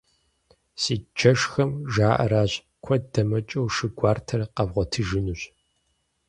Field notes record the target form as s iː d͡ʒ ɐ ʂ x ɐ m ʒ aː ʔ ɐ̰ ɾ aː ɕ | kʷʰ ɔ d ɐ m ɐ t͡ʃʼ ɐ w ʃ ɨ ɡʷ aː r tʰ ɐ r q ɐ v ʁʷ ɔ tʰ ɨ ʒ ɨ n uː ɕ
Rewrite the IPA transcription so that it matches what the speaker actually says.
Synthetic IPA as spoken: s iː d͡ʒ ɐ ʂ x ɐ m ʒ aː ʔ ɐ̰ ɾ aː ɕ | kʷʰ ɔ d ɐ m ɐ t͡ʃʼ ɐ w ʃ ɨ ɡʷ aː r tʰ ɐ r q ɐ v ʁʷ ɔ tʰ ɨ ʒ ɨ n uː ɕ